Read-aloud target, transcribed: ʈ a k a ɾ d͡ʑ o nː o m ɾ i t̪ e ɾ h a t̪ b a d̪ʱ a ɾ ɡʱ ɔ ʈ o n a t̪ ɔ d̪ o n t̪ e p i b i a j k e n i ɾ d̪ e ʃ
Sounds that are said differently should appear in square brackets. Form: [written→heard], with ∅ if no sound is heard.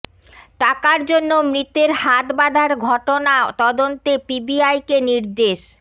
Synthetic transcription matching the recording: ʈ a k a ɾ d͡ʑ o nː o m ɾ i t̪ e ɾ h a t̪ b a d̪ʱ a ɾ ɡʱ ɔ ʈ o n a t̪ ɔ d̪ o n t̪ e p i b i a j k e n i ɾ d̪ e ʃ